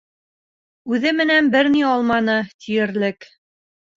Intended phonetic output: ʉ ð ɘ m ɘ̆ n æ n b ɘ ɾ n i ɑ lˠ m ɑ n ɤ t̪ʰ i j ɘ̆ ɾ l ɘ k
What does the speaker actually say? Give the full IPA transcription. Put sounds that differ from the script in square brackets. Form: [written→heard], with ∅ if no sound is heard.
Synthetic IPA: ʉ ð ɘ m ɘ̆ n æ n b ɘ ɾ n i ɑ lˠ m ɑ n ɤ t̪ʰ i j ɘ̆ ɾ l ɘ k